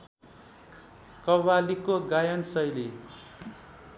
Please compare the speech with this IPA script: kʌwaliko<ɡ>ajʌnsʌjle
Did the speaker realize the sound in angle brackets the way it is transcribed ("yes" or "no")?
yes